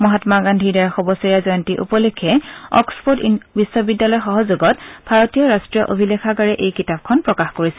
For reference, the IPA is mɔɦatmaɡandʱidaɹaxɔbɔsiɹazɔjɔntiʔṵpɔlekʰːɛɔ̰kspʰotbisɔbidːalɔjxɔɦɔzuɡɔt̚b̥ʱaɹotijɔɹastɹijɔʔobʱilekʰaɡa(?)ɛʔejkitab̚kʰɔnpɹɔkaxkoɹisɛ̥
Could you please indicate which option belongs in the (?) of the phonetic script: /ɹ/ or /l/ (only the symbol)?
ɹ